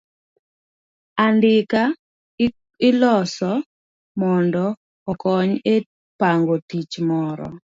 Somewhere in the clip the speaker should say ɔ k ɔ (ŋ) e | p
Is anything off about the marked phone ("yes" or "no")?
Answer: yes